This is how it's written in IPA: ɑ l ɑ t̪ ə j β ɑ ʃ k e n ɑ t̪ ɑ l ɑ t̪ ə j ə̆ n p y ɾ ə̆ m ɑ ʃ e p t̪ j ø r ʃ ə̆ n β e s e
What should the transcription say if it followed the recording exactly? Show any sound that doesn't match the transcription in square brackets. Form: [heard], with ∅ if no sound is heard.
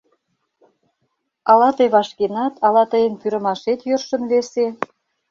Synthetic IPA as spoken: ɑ l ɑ t̪ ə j β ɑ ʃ k e n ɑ t̪ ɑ l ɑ t̪ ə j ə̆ n p y ɾ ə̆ m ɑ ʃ e [∅] t̪ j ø r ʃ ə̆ n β e s e

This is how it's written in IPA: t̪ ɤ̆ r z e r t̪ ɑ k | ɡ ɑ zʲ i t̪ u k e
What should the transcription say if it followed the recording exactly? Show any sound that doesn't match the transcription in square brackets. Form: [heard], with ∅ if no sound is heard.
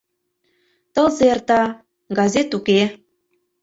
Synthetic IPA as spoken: t̪ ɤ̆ [l] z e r t̪ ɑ [∅] | ɡ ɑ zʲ [e] t̪ u k e

